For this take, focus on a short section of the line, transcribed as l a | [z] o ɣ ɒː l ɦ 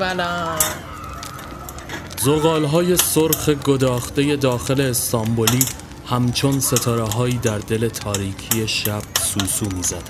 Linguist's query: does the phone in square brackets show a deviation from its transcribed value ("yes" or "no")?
no